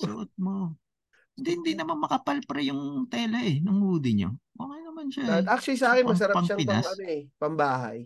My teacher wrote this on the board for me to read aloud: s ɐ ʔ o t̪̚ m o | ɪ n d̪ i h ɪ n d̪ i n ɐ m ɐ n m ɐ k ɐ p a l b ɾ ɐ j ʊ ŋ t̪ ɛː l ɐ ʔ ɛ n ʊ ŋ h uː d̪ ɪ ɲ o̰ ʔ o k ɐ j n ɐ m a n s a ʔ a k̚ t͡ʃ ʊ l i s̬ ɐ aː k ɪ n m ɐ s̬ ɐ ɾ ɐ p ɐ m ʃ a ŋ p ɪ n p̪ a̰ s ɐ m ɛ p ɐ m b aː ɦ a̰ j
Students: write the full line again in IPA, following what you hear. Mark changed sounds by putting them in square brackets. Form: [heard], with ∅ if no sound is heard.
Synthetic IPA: s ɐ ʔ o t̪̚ m o | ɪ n d̪ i h ɪ n d̪ i n ɐ m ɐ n m ɐ k ɐ p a l [p] ɾ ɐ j ʊ ŋ t̪ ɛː l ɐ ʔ ɛ n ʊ ŋ h uː d̪ ɪ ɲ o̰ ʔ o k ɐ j n ɐ m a n [ʃ] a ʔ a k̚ t͡ʃ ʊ l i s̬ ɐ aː k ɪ n m ɐ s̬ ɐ ɾ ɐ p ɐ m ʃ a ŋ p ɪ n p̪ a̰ s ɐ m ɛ p ɐ m b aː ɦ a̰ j